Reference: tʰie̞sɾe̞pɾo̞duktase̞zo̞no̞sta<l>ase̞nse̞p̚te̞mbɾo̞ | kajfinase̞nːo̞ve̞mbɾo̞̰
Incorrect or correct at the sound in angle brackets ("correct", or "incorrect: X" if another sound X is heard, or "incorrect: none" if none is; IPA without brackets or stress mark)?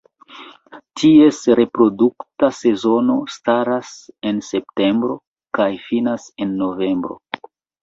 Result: incorrect: ɾ